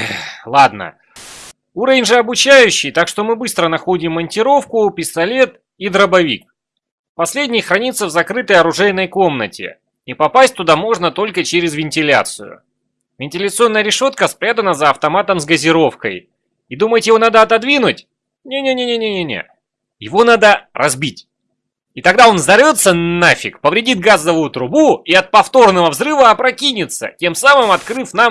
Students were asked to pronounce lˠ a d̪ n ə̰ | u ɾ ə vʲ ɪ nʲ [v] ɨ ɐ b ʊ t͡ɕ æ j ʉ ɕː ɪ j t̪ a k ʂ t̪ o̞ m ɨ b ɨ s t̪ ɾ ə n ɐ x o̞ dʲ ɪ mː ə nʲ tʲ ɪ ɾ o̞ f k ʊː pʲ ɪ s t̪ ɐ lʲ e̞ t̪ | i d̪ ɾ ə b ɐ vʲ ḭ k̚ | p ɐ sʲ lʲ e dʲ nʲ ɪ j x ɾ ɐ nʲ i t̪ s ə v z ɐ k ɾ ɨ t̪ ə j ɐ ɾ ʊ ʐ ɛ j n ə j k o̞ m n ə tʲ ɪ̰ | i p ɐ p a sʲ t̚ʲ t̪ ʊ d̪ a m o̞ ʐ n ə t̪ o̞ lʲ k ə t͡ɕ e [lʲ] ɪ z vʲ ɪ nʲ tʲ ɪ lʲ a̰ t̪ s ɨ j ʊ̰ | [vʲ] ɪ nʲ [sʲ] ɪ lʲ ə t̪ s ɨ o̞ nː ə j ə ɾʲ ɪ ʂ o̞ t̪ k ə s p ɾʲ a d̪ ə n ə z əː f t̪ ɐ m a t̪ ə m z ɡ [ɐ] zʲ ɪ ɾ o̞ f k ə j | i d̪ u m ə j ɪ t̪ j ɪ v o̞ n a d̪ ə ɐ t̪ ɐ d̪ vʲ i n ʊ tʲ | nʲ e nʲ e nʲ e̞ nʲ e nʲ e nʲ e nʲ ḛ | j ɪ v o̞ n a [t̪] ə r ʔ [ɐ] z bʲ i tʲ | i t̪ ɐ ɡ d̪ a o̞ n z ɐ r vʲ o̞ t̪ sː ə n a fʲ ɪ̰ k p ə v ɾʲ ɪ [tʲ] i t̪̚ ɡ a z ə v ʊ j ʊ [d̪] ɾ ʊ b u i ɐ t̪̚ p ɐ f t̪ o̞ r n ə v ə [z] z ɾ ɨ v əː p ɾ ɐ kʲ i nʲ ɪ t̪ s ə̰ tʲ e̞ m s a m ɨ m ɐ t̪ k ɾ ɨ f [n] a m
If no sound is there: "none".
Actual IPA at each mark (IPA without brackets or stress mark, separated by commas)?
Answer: ʐ, ɾʲ, vʲ, tʲ, ə, d̪, ɐ, dʲ, t̪, v, n